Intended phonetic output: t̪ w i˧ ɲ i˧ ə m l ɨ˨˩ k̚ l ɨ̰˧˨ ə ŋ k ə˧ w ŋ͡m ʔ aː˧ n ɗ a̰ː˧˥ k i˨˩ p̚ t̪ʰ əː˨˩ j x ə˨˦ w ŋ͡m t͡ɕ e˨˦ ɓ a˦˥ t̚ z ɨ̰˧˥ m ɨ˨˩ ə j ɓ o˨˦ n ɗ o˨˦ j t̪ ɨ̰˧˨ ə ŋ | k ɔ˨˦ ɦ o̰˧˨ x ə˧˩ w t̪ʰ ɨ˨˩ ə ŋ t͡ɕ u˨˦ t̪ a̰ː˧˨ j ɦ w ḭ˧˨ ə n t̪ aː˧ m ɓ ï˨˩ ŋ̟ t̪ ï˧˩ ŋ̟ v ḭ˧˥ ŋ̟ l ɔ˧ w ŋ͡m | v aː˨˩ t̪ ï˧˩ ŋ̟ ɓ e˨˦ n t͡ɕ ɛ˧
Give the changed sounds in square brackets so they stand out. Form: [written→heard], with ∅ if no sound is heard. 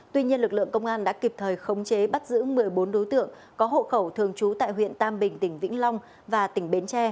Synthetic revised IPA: t̪ w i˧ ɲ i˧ ə [m→n] l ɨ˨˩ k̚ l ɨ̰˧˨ ə ŋ k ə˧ w ŋ͡m ʔ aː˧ n ɗ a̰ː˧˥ k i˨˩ p̚ t̪ʰ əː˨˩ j x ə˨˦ w ŋ͡m t͡ɕ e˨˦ ɓ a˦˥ t̚ z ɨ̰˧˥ m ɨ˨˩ ə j ɓ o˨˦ n ɗ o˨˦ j t̪ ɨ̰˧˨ ə ŋ | k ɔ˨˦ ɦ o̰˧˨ x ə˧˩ w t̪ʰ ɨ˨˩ ə ŋ t͡ɕ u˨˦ t̪ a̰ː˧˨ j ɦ w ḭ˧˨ ə n t̪ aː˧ m ɓ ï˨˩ ŋ̟ t̪ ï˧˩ ŋ̟ v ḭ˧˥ ŋ̟ l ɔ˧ w ŋ͡m | v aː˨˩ t̪ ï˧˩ ŋ̟ ɓ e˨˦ n t͡ɕ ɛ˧